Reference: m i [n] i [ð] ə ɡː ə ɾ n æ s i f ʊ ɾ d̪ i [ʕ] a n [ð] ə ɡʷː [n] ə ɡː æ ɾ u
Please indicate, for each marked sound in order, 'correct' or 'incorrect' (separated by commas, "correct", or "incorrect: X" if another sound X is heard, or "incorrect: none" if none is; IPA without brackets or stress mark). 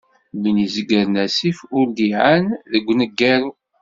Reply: correct, incorrect: z, correct, correct, correct